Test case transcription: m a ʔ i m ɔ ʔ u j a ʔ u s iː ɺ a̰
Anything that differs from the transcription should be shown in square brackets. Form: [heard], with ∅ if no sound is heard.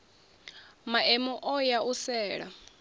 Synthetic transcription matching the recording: m a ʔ [ɛ] m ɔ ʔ [ɔ] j a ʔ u s [ɛː] ɺ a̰